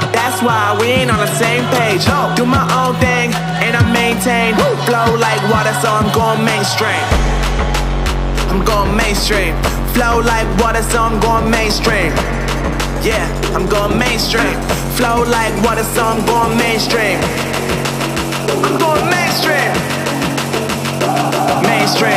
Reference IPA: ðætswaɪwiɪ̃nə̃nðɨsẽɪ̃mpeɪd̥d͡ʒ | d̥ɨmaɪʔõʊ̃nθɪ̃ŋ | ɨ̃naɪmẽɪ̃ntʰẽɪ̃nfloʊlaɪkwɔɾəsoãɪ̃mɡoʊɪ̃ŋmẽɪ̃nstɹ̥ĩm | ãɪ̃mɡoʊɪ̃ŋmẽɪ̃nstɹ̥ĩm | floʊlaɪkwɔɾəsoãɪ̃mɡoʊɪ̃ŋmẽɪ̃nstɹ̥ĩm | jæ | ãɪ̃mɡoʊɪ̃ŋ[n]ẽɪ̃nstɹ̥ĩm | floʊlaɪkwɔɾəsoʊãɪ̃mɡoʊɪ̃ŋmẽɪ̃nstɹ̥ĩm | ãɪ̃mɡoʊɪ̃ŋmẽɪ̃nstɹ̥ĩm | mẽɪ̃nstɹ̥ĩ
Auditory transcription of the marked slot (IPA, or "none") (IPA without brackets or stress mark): m